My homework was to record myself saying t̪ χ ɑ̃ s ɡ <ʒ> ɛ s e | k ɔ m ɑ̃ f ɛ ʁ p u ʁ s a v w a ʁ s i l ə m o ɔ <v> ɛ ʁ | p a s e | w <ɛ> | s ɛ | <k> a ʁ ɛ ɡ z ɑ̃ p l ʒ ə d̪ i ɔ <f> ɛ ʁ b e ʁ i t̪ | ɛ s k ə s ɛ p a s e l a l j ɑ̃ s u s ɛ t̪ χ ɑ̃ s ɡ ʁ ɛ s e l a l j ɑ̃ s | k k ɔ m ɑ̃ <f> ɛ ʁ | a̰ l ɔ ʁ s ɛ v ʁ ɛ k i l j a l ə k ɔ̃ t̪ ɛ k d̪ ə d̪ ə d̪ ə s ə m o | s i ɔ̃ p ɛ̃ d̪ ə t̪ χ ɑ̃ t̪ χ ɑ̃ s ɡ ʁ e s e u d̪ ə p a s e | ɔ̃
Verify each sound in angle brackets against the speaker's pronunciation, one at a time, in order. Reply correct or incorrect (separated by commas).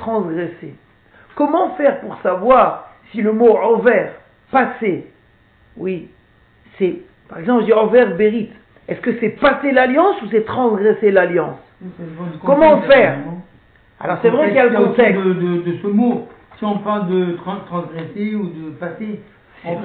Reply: incorrect, correct, incorrect, incorrect, incorrect, correct